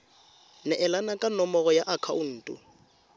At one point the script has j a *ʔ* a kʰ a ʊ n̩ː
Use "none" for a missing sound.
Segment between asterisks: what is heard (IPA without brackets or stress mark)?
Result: ʔ